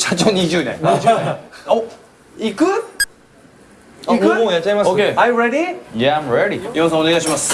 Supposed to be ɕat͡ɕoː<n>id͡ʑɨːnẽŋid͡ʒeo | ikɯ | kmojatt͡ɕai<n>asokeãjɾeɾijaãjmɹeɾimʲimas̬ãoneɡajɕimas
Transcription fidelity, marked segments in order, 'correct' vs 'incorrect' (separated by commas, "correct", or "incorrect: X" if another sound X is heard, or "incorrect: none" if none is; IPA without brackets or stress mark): incorrect: ɲ, incorrect: m